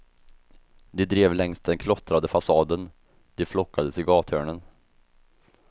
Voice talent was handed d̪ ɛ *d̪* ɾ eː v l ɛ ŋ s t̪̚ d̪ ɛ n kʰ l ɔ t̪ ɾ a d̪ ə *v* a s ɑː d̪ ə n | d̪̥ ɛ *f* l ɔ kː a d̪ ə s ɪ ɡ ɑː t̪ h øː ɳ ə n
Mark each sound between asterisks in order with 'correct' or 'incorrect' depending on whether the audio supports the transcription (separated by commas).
correct, incorrect, correct